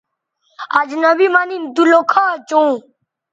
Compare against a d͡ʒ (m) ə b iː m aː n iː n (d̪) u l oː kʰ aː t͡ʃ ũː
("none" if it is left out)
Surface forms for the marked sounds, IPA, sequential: n, d̪

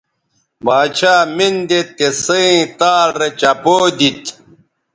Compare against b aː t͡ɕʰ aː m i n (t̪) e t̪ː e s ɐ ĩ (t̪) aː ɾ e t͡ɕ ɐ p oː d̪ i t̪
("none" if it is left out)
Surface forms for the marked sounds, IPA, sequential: d̪, t̪

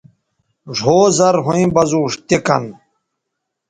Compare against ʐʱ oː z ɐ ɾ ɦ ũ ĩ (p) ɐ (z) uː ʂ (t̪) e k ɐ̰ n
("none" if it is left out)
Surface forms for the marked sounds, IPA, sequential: b, z, t̪

